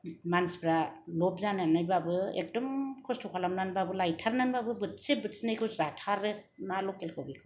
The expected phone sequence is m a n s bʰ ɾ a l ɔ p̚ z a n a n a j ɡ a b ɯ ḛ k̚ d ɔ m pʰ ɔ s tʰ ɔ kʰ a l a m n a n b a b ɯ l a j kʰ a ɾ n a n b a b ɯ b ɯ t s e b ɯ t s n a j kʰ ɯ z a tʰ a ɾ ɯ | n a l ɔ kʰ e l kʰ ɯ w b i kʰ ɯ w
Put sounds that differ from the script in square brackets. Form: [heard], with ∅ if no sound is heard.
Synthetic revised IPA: m a n s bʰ ɾ a l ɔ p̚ z a n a n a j [b] a b ɯ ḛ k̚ d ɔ m [kʰ] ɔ s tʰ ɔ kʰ a l a m n a n b a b ɯ l a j [tʰ] a ɾ n a n b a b ɯ b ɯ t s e b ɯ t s n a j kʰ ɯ z a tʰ a ɾ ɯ | n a l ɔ [k] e l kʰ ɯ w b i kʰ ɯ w